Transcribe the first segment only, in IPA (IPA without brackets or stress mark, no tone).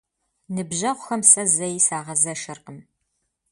n